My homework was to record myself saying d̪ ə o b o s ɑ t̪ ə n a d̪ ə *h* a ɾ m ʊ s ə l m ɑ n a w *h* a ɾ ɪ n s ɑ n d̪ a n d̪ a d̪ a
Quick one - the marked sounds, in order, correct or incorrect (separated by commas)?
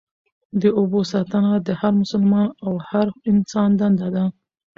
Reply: correct, correct